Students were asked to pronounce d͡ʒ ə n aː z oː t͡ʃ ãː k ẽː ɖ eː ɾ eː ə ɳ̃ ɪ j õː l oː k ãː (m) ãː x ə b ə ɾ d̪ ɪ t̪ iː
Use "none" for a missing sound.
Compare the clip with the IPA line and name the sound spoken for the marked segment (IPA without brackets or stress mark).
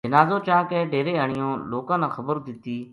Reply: n